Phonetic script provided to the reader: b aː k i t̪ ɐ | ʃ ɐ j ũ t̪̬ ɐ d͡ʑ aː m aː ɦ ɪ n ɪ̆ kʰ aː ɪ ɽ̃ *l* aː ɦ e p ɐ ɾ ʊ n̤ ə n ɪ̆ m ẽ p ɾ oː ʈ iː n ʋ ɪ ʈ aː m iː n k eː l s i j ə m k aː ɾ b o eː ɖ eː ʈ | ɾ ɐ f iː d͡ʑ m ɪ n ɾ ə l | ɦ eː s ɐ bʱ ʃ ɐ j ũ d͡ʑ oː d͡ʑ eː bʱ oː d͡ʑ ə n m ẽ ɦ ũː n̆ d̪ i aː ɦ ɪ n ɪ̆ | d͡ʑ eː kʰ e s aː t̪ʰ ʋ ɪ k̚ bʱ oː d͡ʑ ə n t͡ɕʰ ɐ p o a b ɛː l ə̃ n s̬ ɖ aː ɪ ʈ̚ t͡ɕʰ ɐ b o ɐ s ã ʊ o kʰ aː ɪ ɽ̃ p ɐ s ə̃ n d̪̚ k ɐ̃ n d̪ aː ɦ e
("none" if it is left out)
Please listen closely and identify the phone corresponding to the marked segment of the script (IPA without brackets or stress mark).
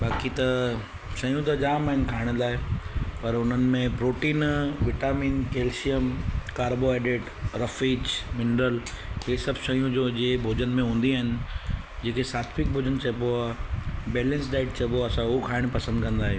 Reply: l